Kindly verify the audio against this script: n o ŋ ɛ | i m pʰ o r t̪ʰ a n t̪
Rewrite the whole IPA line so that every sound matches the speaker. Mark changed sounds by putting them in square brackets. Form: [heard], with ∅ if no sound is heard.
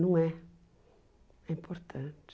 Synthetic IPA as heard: n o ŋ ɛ | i m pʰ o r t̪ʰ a n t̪

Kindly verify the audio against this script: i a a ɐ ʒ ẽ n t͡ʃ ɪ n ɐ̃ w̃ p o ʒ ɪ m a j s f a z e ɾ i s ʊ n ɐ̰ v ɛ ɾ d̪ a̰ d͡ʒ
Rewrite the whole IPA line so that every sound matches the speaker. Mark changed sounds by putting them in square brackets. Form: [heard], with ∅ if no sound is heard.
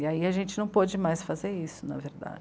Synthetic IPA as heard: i a [i] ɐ ʒ ẽ n t͡ʃ ɪ n ɐ̃ w̃ p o [d͡ʒ] ɪ m a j s f a z e ɾ i s ʊ n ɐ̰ v [e] ɾ d̪ a̰ d͡ʒ

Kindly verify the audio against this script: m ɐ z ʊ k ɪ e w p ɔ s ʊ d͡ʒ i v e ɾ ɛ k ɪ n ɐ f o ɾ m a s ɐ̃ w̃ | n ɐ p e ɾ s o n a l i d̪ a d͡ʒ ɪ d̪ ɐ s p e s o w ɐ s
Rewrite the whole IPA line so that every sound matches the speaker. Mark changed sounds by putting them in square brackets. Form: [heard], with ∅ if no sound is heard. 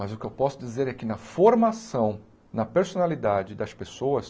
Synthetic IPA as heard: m ɐ z ʊ k ɪ e w p ɔ s ʊ d͡ʒ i [z] e ɾ ɛ k ɪ n ɐ f o ɾ m a s ɐ̃ w̃ | n ɐ p e ɾ s o n a l i d̪ a d͡ʒ ɪ d̪ ɐ s p e s o w ɐ s

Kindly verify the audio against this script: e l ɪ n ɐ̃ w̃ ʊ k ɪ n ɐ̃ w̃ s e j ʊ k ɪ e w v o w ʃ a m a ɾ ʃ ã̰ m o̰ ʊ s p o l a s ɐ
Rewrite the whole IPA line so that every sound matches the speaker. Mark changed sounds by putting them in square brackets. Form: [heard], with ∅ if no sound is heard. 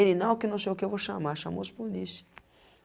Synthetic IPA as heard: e l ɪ n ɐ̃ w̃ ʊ k ɪ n ɐ̃ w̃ s e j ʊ k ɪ e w v o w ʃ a m a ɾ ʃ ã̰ m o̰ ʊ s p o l [i] s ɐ

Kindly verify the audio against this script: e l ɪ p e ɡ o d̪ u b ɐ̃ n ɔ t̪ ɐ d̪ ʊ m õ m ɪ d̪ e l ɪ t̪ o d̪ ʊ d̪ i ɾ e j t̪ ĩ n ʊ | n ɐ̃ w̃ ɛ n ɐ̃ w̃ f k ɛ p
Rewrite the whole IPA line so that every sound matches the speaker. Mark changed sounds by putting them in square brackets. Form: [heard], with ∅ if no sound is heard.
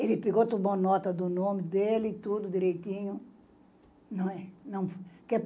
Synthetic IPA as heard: e l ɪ p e ɡ o [t̪] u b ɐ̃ n ɔ t̪ ɐ d̪ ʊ [n] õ m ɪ d̪ e l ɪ t̪ [u] d̪ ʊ d̪ i ɾ e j t̪ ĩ [ɲ] ʊ | n ɐ̃ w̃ ɛ n ɐ̃ w̃ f k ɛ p

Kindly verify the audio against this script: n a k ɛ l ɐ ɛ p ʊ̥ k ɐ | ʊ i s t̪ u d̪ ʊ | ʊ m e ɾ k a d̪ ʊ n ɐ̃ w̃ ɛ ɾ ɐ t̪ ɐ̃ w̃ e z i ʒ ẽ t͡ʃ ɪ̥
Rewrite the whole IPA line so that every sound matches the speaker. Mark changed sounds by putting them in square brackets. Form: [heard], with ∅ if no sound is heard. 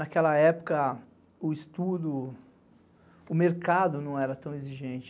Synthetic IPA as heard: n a k ɛ l ɐ ɛ p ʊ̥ k ɐ | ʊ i s t̪ u d̪ ʊ | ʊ m e ɾ k a d̪ ʊ n ɐ̃ w̃ ɛ ɾ ɐ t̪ ɐ̃ w̃ e z i ʒ ẽ t͡ʃ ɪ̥

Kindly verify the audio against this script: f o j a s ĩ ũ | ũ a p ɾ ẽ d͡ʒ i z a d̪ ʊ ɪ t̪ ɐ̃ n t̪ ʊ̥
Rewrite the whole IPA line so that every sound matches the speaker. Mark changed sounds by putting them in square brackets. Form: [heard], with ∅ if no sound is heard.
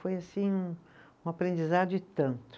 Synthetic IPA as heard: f o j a s ĩ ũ | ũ a p ɾ ẽ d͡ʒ i z a d̪ ʊ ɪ t̪ ɐ̃ n t̪ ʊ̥

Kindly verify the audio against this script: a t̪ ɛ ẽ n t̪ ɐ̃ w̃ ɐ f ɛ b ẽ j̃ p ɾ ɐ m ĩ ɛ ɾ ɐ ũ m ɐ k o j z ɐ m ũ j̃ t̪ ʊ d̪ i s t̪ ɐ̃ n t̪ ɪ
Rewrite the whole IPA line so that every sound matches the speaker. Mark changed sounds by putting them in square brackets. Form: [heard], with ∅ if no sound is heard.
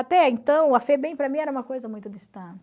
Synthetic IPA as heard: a t̪ ɛ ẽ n t̪ ɐ̃ w̃ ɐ f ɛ b ẽ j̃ p ɾ ɐ m ĩ ɛ ɾ ɐ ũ m ɐ k o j z ɐ m ũ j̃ t̪ ʊ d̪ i s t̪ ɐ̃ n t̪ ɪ

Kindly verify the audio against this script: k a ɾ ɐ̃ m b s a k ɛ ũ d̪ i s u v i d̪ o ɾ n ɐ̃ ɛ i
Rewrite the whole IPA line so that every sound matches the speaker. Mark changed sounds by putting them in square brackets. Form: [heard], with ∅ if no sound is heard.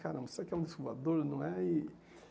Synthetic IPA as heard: k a ɾ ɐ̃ m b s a k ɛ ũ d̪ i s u v [a] d̪ o ɾ n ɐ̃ ɛ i

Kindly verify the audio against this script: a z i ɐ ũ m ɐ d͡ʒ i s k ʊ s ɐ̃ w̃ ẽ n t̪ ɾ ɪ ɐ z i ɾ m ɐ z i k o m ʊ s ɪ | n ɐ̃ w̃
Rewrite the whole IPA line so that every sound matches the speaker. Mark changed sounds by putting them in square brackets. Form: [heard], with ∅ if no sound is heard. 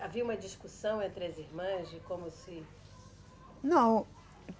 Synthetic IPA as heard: a [v] i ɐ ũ m ɐ d͡ʒ i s k [u] s ɐ̃ w̃ ẽ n t̪ ɾ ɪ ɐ z i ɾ m [ɐ̃] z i k [õ] m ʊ s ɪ | n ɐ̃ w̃

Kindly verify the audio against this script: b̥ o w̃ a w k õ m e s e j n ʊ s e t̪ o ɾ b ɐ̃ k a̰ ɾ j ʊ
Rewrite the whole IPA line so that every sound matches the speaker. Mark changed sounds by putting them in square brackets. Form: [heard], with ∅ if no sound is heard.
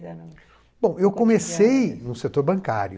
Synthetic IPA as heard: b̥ [õ] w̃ [e] w k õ m e s e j n ʊ s e t̪ o ɾ b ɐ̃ k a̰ ɾ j ʊ

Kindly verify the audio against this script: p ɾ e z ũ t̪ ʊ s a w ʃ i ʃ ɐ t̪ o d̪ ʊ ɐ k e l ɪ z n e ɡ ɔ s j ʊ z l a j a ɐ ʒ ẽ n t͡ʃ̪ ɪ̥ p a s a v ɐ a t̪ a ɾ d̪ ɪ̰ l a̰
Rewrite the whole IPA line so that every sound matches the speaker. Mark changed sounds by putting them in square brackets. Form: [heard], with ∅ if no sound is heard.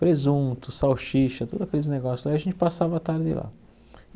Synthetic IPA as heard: p ɾ e z ũ t̪ ʊ s a w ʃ i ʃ ɐ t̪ o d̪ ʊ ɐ k e l ɪ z n e ɡ ɔ s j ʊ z l a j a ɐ ʒ ẽ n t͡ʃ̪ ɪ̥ p a s a v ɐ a t̪ a ɾ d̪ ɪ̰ l a̰

